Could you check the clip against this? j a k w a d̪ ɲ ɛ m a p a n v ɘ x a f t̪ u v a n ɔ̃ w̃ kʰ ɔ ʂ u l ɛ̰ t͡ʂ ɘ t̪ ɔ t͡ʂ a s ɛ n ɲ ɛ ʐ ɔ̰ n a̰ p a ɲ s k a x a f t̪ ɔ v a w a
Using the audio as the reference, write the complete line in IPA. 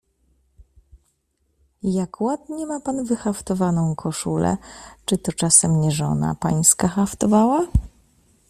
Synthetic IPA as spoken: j a k w a d̪ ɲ ɛ m a p a n v ɘ x a f t̪ ɔ v a n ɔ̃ w̃ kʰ ɔ ʂ u l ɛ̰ t͡ʂ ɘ t̪ ɔ t͡ʂ a s ɛ m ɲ ɛ ʐ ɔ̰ n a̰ p a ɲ s k a x a f t̪ ɔ v a w a